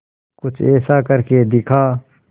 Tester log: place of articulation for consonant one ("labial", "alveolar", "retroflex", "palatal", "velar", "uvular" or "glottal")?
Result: velar